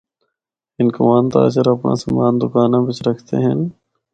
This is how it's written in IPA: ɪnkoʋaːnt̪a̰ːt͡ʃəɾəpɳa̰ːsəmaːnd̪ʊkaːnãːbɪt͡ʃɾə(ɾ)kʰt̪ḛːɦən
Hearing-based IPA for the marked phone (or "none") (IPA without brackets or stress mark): none